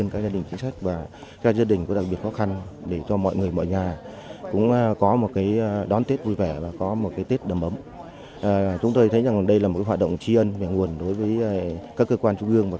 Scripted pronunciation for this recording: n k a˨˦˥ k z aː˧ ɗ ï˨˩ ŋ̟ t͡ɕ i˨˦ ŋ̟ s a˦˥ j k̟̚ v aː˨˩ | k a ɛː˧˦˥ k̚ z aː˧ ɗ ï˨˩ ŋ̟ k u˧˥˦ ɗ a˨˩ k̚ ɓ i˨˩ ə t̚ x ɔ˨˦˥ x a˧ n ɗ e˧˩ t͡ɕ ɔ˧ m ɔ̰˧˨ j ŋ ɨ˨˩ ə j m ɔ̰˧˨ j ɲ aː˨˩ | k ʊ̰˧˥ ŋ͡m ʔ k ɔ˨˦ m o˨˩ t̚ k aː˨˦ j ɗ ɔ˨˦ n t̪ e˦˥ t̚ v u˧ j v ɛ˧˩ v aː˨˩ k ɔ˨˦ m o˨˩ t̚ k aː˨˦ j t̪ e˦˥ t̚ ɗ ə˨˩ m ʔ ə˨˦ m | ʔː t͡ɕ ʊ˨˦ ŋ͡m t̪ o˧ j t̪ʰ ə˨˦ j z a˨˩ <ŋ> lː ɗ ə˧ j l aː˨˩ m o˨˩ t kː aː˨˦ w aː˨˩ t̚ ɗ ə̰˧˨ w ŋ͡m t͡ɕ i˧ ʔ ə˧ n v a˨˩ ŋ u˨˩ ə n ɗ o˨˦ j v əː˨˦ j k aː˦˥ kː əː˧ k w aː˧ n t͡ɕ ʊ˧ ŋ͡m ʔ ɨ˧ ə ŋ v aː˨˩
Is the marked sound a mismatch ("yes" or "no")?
no